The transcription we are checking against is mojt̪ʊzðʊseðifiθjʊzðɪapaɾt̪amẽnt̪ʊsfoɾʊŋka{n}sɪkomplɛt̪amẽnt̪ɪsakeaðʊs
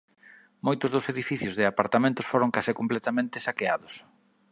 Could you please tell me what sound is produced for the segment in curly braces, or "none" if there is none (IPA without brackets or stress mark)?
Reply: none